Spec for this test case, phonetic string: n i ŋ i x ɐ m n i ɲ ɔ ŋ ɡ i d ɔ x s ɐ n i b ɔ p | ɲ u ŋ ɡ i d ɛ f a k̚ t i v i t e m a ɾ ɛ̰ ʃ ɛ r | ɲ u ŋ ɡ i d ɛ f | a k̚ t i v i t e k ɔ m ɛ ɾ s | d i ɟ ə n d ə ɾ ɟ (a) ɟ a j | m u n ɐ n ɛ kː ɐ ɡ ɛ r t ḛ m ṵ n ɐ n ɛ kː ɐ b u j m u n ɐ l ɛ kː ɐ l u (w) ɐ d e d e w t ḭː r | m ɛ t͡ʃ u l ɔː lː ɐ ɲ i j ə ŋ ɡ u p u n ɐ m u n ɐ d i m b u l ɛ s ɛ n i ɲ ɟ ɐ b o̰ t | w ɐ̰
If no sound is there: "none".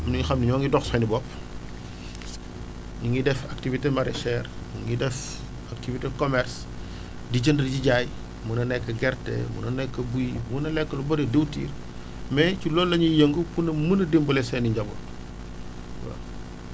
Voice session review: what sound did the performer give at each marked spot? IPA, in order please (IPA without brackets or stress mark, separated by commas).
i, b